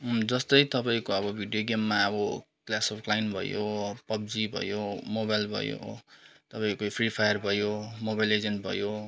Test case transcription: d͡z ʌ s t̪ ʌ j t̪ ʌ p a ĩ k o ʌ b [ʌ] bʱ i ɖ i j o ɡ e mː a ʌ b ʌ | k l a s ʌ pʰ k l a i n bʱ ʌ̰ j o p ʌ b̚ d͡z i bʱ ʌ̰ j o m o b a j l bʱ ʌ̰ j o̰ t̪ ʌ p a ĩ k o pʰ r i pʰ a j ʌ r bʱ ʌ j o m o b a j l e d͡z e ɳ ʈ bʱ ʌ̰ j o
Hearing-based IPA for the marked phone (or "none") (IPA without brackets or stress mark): ʌ